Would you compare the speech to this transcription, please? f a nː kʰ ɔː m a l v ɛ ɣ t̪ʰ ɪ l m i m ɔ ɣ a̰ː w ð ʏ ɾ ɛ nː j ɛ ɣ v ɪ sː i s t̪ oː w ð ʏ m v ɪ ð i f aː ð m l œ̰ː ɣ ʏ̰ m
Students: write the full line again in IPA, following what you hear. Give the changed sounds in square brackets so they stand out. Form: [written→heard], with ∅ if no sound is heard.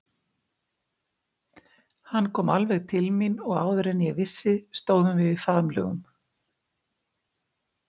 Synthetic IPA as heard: [f→h] a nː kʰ ɔː m a l v ɛ ɣ t̪ʰ ɪ l m i [m→n] ɔ ɣ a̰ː w ð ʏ ɾ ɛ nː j ɛ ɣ v ɪ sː [i→ɪ] s t̪ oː w ð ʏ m v ɪ ð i f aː ð m l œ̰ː ɣ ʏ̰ m